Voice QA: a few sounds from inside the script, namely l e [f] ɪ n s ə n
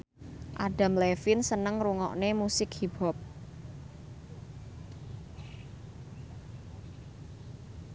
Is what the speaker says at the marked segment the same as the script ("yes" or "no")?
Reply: yes